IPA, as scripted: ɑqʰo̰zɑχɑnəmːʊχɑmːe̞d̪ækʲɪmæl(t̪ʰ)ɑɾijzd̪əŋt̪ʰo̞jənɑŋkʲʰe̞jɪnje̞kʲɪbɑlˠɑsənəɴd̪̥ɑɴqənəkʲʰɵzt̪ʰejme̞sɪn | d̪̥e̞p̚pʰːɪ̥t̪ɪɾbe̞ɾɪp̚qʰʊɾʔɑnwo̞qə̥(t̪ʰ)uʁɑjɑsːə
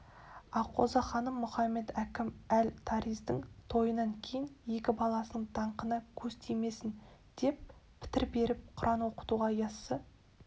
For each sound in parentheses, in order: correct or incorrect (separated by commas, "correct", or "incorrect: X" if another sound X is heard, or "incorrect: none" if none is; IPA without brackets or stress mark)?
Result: correct, incorrect: t̪